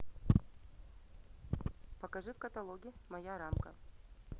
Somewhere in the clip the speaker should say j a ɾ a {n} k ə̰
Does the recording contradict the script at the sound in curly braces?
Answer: yes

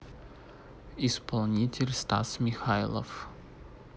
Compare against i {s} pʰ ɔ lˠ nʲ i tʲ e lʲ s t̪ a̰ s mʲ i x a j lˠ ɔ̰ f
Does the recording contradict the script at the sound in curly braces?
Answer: no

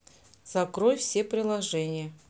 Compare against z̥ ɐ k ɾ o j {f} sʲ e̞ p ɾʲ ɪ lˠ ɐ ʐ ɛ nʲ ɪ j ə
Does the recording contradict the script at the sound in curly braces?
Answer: no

